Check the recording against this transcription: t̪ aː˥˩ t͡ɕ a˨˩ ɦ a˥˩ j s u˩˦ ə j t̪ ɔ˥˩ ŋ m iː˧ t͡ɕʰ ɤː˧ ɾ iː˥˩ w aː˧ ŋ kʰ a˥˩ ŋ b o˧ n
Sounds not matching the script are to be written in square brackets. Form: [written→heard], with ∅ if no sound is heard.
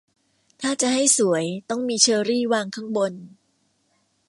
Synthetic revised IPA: [t̪→t̪ʰ] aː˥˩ t͡ɕ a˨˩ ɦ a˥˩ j s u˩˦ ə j t̪ ɔ˥˩ ŋ m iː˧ t͡ɕʰ ɤː˧ ɾ iː˥˩ w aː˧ ŋ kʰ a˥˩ ŋ b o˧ n